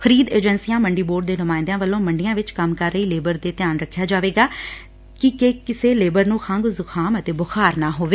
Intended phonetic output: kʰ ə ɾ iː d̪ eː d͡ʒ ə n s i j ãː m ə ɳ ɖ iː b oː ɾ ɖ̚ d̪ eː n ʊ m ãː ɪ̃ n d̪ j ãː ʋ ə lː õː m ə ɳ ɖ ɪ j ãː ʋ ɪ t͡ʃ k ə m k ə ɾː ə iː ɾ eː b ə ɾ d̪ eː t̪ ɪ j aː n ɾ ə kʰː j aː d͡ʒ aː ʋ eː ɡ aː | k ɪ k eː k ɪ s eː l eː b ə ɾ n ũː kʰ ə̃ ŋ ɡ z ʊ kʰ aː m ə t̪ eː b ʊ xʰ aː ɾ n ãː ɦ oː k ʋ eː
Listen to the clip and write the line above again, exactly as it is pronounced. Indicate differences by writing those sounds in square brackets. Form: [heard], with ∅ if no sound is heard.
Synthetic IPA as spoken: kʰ ə ɾ iː d̪ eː d͡ʒ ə n s i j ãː m ə ɳ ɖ iː b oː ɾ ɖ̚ d̪ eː n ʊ m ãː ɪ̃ n d̪ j ãː ʋ ə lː õː m ə ɳ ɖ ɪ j ãː ʋ ɪ t͡ʃ k ə m k ə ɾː ə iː [l] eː b ə ɾ d̪ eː t̪ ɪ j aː n ɾ ə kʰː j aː d͡ʒ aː ʋ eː ɡ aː | k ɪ k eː k ɪ s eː l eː b ə ɾ n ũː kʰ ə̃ ŋ ɡ z ʊ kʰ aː m ə t̪ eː b ʊ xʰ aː ɾ n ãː ɦ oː [∅] ʋ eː